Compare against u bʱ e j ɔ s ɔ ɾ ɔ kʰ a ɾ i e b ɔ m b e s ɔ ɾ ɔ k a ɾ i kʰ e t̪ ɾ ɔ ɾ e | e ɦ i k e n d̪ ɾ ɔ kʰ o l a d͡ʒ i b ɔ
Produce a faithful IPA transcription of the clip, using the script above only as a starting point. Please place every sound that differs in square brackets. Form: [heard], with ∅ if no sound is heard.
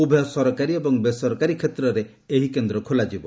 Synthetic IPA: u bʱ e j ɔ s ɔ ɾ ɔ [k] a ɾ i e b ɔ [ŋ] b e s ɔ ɾ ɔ k a ɾ i kʰ e t̪ ɾ ɔ ɾ e | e ɦ i k e n d̪ ɾ ɔ kʰ o l a d͡ʒ i b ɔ